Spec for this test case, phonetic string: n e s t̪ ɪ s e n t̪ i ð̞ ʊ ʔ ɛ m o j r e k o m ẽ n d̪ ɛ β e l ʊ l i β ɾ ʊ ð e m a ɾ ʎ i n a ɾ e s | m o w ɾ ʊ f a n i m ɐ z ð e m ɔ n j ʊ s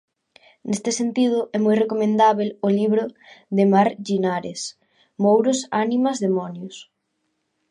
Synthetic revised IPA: n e s t̪ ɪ s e n t̪ i ð̞ ʊ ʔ ɛ m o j r e k o m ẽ n d̪ a β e l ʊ l i β ɾ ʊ ð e m a ɾ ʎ i n a ɾ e s | m o w ɾ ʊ s a n i m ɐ z ð e m ɔ n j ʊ s